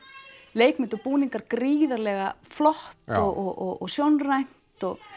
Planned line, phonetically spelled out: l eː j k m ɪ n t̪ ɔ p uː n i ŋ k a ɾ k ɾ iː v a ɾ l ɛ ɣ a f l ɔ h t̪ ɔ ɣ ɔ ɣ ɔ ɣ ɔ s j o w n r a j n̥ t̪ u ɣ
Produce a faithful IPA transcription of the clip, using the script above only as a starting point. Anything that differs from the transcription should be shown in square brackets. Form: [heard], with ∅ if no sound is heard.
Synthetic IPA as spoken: l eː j k m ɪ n t̪ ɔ p uː n i ŋ k a ɾ k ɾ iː [ð] a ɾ l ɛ ɣ a f l ɔ h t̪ ɔ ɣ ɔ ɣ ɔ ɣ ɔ s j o w n r a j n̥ t̪ [ɔ] ɣ